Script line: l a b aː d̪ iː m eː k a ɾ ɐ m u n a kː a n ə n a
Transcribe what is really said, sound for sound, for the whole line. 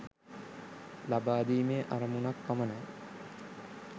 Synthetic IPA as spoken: l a b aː d̪ iː m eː ʔ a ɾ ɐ m u n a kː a m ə n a